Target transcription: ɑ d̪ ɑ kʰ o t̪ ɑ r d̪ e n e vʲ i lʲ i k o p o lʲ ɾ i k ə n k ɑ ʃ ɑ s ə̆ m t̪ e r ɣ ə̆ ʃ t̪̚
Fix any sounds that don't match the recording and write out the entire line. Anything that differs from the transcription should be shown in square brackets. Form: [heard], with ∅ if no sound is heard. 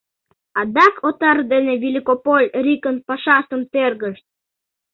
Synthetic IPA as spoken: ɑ d̪ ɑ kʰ o t̪ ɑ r d̪ e n e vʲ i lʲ i k o p o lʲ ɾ i k ə n [p] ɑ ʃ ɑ s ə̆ m t̪ e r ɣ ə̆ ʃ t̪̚